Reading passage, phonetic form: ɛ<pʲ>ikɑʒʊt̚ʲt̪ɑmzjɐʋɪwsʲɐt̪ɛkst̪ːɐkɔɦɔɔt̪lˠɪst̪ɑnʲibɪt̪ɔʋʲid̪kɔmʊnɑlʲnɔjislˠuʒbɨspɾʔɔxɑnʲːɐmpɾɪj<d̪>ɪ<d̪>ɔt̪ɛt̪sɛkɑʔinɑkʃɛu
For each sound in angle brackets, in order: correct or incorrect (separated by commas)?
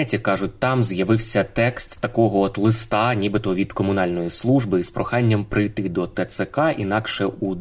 incorrect, incorrect, correct